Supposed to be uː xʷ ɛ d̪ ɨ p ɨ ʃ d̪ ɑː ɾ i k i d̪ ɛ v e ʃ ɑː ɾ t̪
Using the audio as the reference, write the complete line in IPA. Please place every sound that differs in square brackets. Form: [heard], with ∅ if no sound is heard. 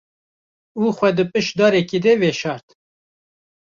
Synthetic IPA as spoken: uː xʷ ɛ d̪ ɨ p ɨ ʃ d̪ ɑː ɾ [ɛ] k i d̪ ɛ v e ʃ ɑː ɾ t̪